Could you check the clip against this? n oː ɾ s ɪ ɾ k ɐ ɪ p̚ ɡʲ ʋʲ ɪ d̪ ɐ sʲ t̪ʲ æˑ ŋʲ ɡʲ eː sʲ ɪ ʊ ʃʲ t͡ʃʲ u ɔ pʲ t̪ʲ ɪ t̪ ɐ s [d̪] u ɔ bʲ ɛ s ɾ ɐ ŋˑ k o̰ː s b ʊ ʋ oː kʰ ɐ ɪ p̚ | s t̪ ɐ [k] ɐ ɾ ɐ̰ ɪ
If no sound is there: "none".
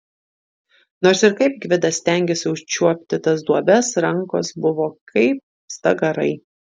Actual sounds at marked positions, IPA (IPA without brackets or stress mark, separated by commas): d̪, ɡ